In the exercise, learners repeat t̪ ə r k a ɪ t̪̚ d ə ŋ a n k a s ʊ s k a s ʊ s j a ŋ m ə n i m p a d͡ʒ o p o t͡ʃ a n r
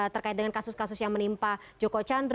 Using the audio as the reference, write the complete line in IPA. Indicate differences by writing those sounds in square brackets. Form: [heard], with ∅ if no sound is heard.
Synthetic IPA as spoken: t̪ ə r k a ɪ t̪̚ d ə ŋ a n k a s ʊ s k a s ʊ s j a ŋ m ə n i m p a d͡ʒ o [k] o t͡ʃ a n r